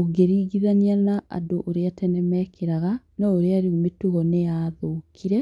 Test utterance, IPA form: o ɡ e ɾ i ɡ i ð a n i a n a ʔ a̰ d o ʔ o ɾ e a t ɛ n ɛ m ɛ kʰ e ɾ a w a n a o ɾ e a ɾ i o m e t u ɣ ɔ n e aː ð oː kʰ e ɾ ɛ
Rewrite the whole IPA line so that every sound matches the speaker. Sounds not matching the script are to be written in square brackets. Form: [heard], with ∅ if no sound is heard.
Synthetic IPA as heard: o ɡ e ɾ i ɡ i ð a n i a n a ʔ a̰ d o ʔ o ɾ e a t ɛ n ɛ m ɛ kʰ e ɾ a [ɣ] a n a o ɾ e a ɾ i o m e t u ɣ ɔ n e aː ð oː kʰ [i] ɾ ɛ